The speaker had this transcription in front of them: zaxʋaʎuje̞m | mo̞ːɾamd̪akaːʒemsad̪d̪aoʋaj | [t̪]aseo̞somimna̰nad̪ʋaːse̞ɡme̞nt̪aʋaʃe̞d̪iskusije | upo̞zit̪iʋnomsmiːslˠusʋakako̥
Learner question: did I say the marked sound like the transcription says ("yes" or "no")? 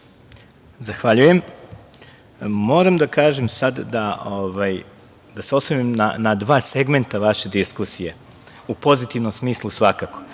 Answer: no